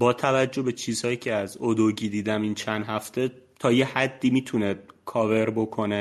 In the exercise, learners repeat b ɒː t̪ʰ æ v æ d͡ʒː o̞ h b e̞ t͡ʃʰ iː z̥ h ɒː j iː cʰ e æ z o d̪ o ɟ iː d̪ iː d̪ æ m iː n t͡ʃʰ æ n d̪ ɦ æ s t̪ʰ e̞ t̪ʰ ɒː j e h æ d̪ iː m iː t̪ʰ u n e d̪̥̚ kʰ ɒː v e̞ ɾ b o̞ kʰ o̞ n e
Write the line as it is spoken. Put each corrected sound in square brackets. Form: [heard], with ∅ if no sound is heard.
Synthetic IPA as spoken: b ɒː t̪ʰ æ v æ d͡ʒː o̞ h b e̞ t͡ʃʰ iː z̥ h ɒː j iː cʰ e æ z o d̪ o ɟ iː d̪ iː d̪ æ m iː n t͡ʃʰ æ n d̪ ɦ æ [f] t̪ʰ e̞ t̪ʰ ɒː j e h æ [d̪ː] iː m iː t̪ʰ u n e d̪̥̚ kʰ ɒː v e̞ ɾ b o̞ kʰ o̞ n e